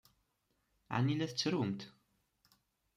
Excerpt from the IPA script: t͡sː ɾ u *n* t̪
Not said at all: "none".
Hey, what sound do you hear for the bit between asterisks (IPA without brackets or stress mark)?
m